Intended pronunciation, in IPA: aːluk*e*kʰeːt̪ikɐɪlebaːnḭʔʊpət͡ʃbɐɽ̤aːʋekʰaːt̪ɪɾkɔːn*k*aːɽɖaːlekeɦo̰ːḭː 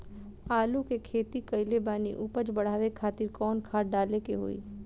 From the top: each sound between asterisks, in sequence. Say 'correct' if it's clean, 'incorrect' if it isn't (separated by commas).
correct, incorrect